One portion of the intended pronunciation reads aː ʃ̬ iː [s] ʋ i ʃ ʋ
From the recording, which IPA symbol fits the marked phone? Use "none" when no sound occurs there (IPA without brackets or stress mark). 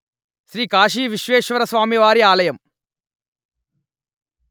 none